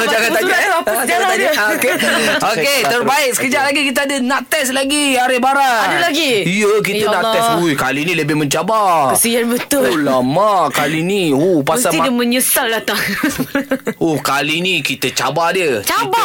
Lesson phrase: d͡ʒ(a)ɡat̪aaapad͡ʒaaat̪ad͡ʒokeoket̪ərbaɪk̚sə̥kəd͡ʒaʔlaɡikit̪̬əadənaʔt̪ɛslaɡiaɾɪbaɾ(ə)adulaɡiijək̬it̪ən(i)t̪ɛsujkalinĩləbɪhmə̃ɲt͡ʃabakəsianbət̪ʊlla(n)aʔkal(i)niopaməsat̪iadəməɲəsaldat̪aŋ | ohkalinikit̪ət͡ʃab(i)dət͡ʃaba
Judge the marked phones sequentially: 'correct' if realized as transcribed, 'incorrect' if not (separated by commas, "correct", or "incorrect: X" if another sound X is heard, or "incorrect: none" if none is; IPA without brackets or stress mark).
correct, incorrect: a, incorrect: a, incorrect: m, correct, incorrect: a